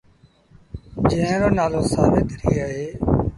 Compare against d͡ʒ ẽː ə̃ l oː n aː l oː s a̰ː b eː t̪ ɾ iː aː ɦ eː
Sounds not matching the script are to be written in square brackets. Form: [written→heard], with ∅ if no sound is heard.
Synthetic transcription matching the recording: d͡ʒ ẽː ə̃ [l→ɾ] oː n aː l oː s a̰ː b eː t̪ ɾ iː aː ɦ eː